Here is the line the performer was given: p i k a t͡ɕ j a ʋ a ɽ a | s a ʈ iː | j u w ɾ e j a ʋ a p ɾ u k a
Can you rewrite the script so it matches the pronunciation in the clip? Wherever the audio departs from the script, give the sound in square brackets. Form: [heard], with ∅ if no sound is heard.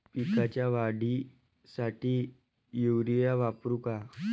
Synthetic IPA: p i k a t͡ɕ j a ʋ a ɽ [i] | s a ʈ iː | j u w ɾ [i] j a ʋ a p ɾ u k a